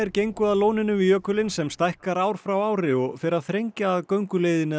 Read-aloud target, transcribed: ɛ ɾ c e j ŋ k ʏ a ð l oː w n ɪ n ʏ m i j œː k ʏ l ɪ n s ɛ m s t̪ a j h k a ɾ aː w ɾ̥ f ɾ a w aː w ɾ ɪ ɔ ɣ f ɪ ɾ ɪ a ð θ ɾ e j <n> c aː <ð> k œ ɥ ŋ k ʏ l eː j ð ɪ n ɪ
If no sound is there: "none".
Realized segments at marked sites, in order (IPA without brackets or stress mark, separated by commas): ɲ, ð